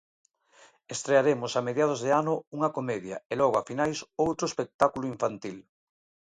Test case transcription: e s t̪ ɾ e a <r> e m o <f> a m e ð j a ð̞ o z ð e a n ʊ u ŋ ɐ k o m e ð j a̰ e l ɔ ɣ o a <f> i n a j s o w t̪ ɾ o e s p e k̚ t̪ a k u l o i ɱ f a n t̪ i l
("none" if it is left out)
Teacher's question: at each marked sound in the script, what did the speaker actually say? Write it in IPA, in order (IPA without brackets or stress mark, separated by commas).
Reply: ɾ, s, f